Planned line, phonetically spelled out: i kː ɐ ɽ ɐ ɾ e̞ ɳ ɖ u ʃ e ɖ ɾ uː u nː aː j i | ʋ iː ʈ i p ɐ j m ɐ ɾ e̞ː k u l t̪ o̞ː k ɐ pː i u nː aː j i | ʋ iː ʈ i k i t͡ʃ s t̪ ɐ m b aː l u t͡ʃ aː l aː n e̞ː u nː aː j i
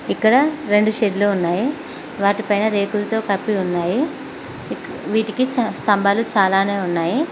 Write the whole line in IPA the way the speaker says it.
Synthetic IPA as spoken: i kː ɐ ɽ ɐ ɾ e̞ ɳ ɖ u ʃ e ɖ l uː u nː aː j i | ʋ aː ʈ i p ɐ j n ɐ ɾ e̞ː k u l t̪ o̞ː k ɐ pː i u nː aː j i | ʋ iː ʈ i k i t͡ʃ s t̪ ɐ m b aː l u t͡ʃ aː l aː n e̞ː u nː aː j i

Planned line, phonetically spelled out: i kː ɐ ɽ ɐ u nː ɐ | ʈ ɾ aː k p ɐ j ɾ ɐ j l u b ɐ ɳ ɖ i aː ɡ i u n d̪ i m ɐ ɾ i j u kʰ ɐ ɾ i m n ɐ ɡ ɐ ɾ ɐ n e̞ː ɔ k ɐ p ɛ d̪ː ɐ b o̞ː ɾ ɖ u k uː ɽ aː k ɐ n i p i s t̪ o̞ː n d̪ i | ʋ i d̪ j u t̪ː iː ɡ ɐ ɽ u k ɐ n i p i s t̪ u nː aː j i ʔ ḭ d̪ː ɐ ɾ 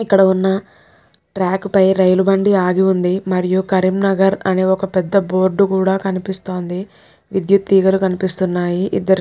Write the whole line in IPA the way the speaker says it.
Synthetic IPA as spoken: i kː ɐ ɽ ɐ u nː ɐ | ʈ ɾ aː k p ɐ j ɾ ɐ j l u b ɐ ɳ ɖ i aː ɡ i u n d̪ i m ɐ ɾ i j u k ɐ ɾ i m n ɐ ɡ ɐ ɾ ɐ n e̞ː ɔ k ɐ p ɛ d̪ː ɐ b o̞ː ɾ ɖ u k uː ɽ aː k ɐ n i p i s t̪ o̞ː n d̪ i | ʋ i d̪ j u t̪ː iː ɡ ɐ l u k ɐ n i p i s t̪ u nː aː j i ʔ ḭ d̪ː ɐ ɾ

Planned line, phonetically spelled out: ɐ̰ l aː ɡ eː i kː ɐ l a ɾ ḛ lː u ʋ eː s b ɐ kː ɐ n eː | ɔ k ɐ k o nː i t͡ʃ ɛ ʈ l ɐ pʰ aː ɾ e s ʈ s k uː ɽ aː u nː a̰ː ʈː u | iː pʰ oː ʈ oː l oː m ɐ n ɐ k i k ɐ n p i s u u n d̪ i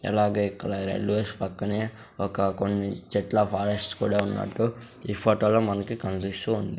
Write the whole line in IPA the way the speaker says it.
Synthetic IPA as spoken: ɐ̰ l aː ɡ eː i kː ɐ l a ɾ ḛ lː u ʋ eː s p ɐ kː ɐ n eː | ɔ k ɐ k o nː i t͡ʃ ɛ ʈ l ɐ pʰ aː ɾ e s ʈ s k uː ɽ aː u nː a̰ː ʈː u | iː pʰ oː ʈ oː l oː m ɐ n ɐ k i k ɐ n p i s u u n d̪ i

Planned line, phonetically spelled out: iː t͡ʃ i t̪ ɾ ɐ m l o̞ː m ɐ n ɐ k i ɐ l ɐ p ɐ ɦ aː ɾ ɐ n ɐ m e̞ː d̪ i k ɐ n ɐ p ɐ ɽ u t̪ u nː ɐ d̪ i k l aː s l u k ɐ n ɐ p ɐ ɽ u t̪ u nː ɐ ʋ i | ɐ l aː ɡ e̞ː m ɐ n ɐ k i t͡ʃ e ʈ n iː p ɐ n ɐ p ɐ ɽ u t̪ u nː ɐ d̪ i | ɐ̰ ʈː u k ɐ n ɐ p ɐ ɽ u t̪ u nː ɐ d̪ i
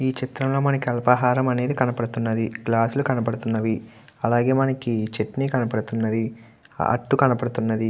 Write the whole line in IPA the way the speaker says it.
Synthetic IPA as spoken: iː t͡ʃ i t̪ ɾ ɐ m l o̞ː m ɐ n ɐ k i ɐ l ɐ p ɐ ɦ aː ɾ ɐ m ɐ n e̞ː d̪ i k ɐ n ɐ p ɐ ɽ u t̪ u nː ɐ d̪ i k l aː s l u k ɐ n ɐ p ɐ ɽ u t̪ u nː ɐ ʋ i | ɐ l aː ɡ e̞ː m ɐ n ɐ k i t͡ʃ e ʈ n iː k ɐ n ɐ p ɐ ɽ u t̪ u nː ɐ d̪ i | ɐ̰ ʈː u k ɐ n ɐ p ɐ ɽ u t̪ u nː ɐ d̪ i

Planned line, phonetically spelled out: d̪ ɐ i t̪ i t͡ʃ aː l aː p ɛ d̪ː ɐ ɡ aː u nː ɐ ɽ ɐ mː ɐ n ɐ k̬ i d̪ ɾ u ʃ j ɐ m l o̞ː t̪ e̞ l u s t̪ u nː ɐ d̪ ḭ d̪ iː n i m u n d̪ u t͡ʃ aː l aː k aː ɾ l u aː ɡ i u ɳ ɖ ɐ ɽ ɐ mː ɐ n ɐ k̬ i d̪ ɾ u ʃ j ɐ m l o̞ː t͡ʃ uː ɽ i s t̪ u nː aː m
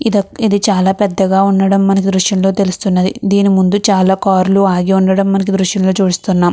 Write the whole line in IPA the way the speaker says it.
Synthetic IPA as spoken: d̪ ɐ i d̪ i t͡ʃ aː l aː p ɛ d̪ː ɐ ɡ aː u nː ɐ ɽ ɐ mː ɐ n ɐ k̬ i d̪ ɾ u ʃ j ɐ m l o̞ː t̪ e̞ l u s t̪ u nː ɐ d̪ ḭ d̪ iː n i m u n d̪ u t͡ʃ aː l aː k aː ɾ l u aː ɡ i u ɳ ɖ ɐ ɽ ɐ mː ɐ n ɐ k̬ i d̪ ɾ u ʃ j ɐ m l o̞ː t͡ʃ uː ɽ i s t̪ u nː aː m

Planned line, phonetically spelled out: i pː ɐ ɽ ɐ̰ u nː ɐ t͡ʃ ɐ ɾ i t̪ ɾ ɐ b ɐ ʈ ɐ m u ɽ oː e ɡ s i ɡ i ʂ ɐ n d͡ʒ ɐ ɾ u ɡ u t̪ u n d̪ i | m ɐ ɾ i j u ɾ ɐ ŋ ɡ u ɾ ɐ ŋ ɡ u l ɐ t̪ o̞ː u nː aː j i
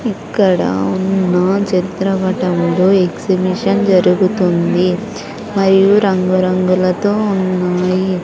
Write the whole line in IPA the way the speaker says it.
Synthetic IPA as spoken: i kː ɐ ɽ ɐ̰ u nː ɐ t͡ʃ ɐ ɾ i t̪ ɾ ɐ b ɐ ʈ ɐ m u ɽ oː e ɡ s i b i ʂ ɐ n d͡ʒ ɐ ɾ u ɡ u t̪ u n d̪ i | m ɐ ɾ i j u ɾ ɐ ŋ ɡ u ɾ ɐ ŋ ɡ u l ɐ t̪ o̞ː u nː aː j i

